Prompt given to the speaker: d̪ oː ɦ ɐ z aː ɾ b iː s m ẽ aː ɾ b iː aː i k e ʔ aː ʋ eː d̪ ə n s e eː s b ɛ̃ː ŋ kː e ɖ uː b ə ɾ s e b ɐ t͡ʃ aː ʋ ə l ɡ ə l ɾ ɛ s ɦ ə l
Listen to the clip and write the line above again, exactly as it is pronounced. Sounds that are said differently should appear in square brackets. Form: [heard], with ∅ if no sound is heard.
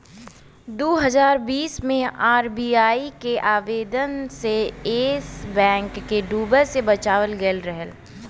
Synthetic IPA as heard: d̪ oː ɦ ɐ z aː ɾ b iː s m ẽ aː ɾ b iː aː i k e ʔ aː ʋ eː d̪ ə n s e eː s b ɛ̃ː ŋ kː e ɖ uː b ə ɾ s e b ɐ t͡ʃ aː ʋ ə l ɡ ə l ɾ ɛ [∅] ɦ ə l

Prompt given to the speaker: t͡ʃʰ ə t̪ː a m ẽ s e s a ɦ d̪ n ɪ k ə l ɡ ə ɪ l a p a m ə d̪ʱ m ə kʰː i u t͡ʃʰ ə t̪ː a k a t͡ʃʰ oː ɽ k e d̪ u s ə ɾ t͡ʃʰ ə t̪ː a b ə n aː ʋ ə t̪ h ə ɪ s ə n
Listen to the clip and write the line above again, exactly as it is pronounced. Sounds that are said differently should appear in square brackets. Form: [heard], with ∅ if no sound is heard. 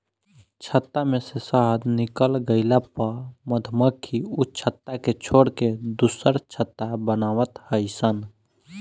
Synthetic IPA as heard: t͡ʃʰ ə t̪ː a m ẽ s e s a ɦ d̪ n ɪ k ə l ɡ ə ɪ l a p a m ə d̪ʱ m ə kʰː i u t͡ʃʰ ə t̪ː a k [e] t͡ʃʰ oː ɽ k e d̪ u s ə ɾ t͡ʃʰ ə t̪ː a b ə n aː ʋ ə t̪ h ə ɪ s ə n

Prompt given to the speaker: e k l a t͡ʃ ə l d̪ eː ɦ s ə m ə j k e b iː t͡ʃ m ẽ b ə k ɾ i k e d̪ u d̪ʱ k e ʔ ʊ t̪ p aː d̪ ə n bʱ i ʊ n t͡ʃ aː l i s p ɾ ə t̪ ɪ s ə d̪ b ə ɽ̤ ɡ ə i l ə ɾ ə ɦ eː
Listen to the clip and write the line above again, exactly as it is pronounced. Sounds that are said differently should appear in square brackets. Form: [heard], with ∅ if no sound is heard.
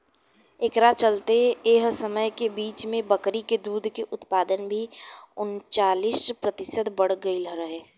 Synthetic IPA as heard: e k [ɾ] a t͡ʃ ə l [t̪] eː ɦ s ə m ə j k e b iː t͡ʃ m ẽ b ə k ɾ i k e d̪ [uː] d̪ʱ k e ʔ ʊ t̪ p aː d̪ ə n bʱ i ʊ n t͡ʃ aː l i s p ɾ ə t̪ ɪ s ə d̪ b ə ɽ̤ ɡ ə i l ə ɾ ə ɦ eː

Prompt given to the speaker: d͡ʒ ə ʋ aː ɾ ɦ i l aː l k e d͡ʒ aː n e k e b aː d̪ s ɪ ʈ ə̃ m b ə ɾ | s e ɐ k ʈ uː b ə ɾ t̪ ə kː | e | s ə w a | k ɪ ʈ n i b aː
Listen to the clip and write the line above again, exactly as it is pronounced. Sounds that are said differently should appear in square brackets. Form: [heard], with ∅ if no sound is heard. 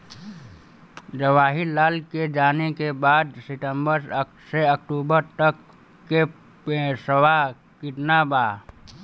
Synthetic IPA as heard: d͡ʒ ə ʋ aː [∅] ɦ i l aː l k e d͡ʒ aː n e k e b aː d̪ s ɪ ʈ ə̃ m b ə ɾ | s e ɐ k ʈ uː b ə ɾ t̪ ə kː | e | s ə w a | k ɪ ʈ n [a] b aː

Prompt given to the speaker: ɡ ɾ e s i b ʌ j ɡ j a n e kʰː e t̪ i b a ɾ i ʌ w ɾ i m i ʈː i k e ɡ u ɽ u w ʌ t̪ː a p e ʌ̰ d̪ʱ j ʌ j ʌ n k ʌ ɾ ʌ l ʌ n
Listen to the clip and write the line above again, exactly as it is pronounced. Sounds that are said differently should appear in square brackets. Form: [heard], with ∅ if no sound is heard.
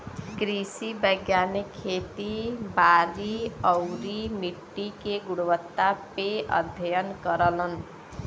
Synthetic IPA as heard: ɡ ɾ [i] s i b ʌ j ɡ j a n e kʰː e t̪ i b a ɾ i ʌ w ɾ i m i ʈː i k e ɡ u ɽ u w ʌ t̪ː a p e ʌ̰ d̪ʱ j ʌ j ʌ n k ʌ ɾ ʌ l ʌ n

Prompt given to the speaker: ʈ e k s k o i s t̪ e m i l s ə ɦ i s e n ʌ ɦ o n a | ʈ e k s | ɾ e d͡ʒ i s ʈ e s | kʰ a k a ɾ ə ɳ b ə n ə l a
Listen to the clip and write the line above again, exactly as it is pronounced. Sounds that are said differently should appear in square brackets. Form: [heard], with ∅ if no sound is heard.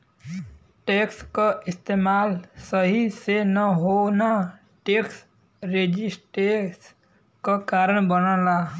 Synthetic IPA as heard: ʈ e k s k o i s t̪ e m [a] l s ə ɦ i s e n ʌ ɦ o n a | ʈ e k s | ɾ e d͡ʒ i s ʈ e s | [k] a k a ɾ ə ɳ b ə n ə l a

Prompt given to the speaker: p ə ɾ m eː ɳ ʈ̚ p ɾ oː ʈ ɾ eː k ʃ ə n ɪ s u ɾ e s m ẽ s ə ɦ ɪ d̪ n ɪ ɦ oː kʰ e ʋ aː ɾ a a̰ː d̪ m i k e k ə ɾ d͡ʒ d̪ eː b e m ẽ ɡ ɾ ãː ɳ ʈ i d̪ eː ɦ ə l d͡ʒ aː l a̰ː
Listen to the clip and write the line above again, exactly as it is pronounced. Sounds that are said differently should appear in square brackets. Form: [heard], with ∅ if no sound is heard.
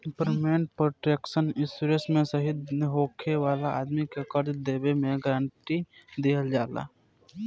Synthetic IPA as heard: p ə ɾ m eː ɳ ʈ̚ p ɾ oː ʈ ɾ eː k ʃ ə n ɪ s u ɾ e s m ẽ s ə ɦ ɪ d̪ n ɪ ɦ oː kʰ e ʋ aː [l] a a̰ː d̪ m i k e k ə ɾ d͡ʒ d̪ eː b e m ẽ ɡ ɾ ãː ɳ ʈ i d̪ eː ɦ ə l d͡ʒ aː l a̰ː

